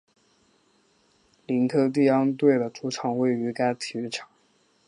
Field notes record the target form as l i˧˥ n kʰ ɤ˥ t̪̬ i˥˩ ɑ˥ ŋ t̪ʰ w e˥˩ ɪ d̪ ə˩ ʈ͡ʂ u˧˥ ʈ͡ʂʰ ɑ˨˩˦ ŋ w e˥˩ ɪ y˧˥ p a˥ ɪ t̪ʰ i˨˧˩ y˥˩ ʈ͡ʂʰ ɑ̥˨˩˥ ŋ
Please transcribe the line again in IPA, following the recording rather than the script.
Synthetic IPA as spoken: l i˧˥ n kʰ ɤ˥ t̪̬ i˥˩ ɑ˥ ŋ t̪ w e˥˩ ɪ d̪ ə˩ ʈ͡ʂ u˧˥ ʈ͡ʂʰ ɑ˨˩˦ ŋ w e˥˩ ɪ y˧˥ k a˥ ɪ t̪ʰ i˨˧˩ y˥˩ ʈ͡ʂʰ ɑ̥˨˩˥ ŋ